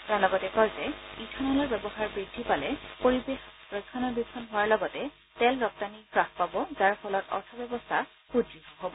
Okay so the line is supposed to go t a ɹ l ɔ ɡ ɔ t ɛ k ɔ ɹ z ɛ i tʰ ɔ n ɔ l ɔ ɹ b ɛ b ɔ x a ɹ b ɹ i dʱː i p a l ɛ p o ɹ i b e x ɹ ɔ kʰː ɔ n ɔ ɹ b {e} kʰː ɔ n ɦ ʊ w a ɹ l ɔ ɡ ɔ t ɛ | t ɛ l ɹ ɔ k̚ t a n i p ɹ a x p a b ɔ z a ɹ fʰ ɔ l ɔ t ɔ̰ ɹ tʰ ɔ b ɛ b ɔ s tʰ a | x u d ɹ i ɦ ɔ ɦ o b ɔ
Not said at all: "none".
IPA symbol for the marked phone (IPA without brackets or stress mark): i